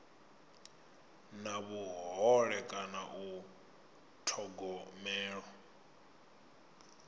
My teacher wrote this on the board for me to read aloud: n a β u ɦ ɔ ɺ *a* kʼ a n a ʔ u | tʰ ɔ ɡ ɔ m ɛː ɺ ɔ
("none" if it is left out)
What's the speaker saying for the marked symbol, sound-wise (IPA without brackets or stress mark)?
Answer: ɛ